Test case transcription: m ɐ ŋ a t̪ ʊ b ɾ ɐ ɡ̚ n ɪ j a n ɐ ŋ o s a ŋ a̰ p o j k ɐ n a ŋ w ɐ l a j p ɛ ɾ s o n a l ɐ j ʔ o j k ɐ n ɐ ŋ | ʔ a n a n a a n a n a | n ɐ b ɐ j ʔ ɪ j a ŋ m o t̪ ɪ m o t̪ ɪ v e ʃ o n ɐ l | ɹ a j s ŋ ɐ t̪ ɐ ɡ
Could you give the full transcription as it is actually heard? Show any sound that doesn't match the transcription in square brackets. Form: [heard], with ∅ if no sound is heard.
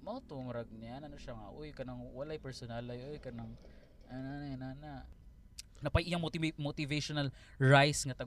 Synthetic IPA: m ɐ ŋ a t̪ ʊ [m] ɾ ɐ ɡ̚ n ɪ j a n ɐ [n] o [ʃ] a ŋ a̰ [ʔ] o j k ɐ n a ŋ w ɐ l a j p ɛ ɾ s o n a l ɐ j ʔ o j k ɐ n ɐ ŋ | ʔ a n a n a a n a n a | n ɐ [p] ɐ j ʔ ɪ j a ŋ m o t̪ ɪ m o t̪ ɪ v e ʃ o n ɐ l | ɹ a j s ŋ ɐ t̪ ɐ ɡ